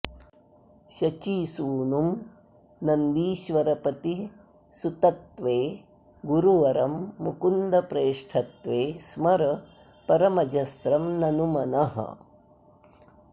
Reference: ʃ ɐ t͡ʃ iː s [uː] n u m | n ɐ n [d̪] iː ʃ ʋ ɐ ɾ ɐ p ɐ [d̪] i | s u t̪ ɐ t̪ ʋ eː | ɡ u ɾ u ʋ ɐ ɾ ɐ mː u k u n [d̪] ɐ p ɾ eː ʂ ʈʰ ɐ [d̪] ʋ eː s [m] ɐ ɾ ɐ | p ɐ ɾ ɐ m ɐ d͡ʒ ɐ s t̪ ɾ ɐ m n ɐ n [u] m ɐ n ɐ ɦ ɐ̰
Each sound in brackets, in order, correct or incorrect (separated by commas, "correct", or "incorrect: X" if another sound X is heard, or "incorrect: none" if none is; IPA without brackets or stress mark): correct, correct, incorrect: t̪, correct, incorrect: t̪, correct, correct